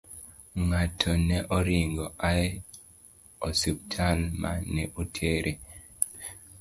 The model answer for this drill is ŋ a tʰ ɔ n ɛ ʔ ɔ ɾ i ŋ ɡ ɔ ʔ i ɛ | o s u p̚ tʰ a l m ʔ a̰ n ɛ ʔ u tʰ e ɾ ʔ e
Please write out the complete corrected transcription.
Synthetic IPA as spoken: ŋ a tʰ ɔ n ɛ ʔ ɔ ɾ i ŋ ɡ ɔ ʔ a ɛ | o s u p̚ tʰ a l m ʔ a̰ n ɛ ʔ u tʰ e ɾ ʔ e